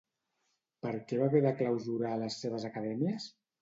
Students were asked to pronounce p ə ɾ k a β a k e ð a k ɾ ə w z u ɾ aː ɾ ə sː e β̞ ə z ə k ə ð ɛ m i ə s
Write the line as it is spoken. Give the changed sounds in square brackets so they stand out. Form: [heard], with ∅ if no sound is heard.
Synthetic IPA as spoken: p ə ɾ k [ɛ] β a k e ð a k [l] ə w z u ɾ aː [l] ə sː e β̞ ə z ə k ə ð ɛ m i ə s